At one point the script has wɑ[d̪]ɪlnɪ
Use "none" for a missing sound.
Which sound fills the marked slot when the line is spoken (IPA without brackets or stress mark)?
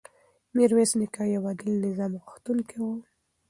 d̪